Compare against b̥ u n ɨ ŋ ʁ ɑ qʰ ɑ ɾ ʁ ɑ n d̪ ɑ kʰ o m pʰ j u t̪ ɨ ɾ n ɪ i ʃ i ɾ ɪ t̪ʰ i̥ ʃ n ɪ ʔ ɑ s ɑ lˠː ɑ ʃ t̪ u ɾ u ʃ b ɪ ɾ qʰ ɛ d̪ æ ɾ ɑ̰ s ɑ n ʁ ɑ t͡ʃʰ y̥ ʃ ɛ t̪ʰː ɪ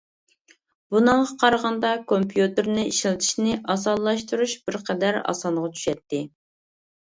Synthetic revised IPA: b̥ u n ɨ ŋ ʁ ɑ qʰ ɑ ɾ ʁ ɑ n d̪ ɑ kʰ o m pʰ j u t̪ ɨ ɾ n ɪ i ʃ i l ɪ t̪ʰ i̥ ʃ n ɪ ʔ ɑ s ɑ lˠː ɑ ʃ t̪ u ɾ u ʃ b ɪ ɾ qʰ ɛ d̪ æ ɾ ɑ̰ s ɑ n ʁ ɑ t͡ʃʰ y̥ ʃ ɛ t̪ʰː ɪ